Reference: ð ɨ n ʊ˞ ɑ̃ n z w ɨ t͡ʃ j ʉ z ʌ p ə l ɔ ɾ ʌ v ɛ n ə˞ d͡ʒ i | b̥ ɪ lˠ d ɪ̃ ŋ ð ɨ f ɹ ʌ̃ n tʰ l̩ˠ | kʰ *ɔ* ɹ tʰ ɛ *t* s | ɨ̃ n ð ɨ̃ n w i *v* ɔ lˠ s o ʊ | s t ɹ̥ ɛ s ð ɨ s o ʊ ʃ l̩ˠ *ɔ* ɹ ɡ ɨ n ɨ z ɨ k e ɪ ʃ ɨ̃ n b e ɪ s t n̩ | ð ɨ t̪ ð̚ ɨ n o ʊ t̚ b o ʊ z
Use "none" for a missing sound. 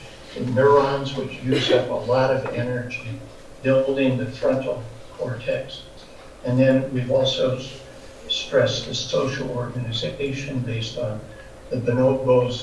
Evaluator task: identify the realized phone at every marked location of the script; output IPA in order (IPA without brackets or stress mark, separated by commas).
ɔ, k, v, ɔ